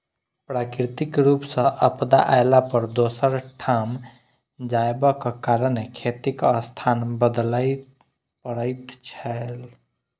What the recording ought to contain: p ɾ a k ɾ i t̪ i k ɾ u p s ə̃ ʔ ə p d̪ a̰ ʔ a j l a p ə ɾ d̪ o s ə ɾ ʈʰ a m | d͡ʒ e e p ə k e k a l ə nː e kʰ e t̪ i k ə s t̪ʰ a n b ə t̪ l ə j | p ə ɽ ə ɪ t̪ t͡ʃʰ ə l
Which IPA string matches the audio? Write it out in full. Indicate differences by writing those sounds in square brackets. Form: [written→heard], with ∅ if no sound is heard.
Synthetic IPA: p ɾ a k ɾ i t̪ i k ɾ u p s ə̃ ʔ ə p d̪ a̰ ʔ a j l a p ə ɾ d̪ o s ə ɾ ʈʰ a m | d͡ʒ [e→a] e [p→b] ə k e k a [l→ɾ] ə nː e kʰ e t̪ i k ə s t̪ʰ a n b ə [t̪→d̪] l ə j | p ə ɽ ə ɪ t̪ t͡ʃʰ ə l